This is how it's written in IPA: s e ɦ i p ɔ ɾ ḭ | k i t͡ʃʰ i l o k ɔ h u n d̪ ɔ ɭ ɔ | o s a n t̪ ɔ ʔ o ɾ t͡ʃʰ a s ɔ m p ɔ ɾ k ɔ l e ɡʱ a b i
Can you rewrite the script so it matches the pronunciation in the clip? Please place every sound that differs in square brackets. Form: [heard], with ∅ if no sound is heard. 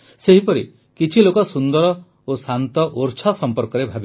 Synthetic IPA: s e ɦ i p ɔ ɾ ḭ | k i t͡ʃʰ i l o k ɔ [s] u n d̪ ɔ [ɾ] ɔ | o s a n t̪ ɔ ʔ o ɾ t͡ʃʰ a s ɔ m p ɔ ɾ k ɔ [ɾ] e [bʱ] a b i